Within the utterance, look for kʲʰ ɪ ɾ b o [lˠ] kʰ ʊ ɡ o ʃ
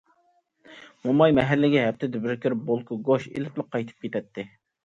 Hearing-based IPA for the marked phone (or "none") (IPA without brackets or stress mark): lˠ